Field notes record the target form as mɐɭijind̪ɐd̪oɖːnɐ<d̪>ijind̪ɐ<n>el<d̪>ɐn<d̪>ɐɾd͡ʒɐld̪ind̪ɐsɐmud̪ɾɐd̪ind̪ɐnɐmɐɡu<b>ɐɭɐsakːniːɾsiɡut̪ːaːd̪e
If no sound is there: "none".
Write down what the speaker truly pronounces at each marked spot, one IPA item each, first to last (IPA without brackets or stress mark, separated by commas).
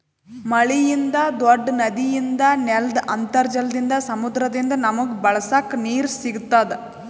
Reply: d̪, n, d̪, t̪, b